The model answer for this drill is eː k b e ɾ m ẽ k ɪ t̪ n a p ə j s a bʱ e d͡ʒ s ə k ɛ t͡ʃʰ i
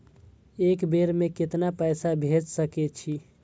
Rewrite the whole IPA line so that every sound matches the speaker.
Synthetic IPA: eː k b e ɾ m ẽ k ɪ t̪ n a p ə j s a bʱ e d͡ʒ s ə k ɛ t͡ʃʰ i